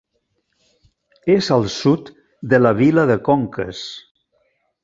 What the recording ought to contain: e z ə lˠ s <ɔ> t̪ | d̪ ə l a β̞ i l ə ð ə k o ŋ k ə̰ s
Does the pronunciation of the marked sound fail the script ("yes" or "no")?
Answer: yes